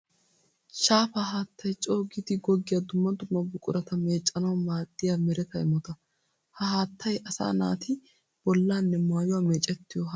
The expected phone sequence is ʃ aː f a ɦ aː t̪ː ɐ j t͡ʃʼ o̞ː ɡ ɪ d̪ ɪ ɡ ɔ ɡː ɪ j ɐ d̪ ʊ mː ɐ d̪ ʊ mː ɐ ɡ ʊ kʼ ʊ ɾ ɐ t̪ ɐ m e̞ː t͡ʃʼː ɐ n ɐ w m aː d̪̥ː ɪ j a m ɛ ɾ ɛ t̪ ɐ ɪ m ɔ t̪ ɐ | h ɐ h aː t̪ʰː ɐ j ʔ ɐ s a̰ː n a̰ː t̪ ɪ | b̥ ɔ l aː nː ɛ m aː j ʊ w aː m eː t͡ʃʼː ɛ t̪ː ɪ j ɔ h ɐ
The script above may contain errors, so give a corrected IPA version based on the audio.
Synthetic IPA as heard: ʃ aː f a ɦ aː t̪ː ɐ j t͡ʃʼ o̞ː ɡ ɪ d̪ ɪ ɡ ɔ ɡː ɪ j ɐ d̪ ʊ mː ɐ d̪ ʊ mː ɐ b ʊ kʼ ʊ ɾ ɐ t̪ ɐ m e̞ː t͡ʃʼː ɐ n ɐ w m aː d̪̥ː ɪ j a m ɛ ɾ ɛ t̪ ɐ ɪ m ɔ t̪ ɐ | h ɐ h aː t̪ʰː ɐ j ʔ ɐ s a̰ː n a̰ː t̪ ɪ | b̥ ɔ lː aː nː ɛ m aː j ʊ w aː m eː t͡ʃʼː ɛ t̪ː ɪ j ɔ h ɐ

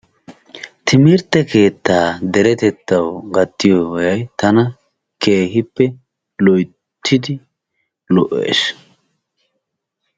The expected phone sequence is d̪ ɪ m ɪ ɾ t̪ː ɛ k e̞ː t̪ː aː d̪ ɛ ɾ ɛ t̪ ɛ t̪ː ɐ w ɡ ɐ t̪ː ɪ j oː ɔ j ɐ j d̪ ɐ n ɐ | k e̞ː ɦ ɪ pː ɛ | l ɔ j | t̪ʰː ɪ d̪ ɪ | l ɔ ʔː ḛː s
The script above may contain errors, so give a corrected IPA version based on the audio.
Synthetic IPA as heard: t̪ ɪ m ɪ ɾ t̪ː ɛ k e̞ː t̪ː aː d̪ ɛ ɾ ɛ t̪ ɛ t̪ː ɐ w ɡ ɐ t̪ː ɪ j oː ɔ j ɐ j t̪ ɐ n ɐ | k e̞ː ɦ ɪ pː ɛ | l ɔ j | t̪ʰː ɪ d̪ ɪ | l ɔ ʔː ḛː s

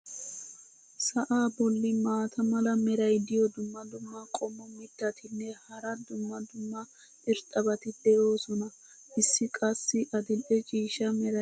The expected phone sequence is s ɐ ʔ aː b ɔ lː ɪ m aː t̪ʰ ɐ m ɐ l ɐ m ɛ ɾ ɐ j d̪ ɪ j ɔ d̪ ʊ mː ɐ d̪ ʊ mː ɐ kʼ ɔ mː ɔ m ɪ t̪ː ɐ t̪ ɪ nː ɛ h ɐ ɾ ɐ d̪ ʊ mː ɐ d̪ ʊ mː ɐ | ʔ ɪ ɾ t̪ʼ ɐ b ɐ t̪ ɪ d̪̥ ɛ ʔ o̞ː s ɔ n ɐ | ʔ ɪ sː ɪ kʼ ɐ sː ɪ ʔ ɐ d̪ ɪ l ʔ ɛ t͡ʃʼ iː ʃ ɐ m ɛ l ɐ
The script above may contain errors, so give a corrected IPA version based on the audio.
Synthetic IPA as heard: s ɐ ʔ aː b ɔ lː ɪ m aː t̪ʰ ɐ m ɐ l ɐ m ɛ ɾ ɐ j d̪ ɪ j ɔ d̪ ʊ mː ɐ d̪ ʊ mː ɐ kʼ ɔ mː ɔ m ɪ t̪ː ɐ t̪ ɪ nː ɛ h ɐ ɾ ɐ d̪ ʊ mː ɐ d̪ ʊ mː ɐ | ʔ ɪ ɾ t̪ʼ ɐ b ɐ t̪ ɪ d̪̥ ɛ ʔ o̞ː s ɔ n ɐ | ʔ ɪ sː ɪ kʼ ɐ sː ɪ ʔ ɐ d̪ ɪ l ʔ ɛ t͡ʃʼ iː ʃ ɐ m ɛ ɾ ɐ

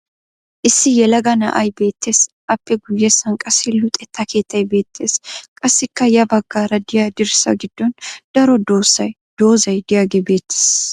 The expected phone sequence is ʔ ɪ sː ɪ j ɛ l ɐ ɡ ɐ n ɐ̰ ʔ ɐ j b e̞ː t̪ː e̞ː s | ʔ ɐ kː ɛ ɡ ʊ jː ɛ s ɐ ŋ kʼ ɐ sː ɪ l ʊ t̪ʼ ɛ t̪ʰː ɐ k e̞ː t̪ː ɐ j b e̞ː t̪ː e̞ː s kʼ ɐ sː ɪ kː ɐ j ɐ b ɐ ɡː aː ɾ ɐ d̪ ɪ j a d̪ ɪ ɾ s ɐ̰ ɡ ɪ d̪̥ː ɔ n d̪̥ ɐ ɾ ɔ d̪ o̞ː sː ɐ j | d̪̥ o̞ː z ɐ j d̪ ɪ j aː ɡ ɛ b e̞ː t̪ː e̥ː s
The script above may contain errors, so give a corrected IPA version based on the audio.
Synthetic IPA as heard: ʔ ɪ sː ɪ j ɛ l ɐ ɡ ɐ n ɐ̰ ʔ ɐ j b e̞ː t̪ː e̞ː s | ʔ ɐ pː ɛ ɡ ʊ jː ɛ s ɐ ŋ kʼ ɐ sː ɪ l ʊ t̪ʼ ɛ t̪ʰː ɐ k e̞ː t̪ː ɐ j b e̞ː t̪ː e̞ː s kʼ ɐ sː ɪ kː ɐ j ɐ b ɐ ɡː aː ɾ ɐ d̪ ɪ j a d̪ ɪ ɾ s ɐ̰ ɡ ɪ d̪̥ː ɔ n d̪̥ ɐ ɾ ɔ d̪ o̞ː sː ɐ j | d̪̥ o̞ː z ɐ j d̪ ɪ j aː ɡ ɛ b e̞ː t̪ː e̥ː s

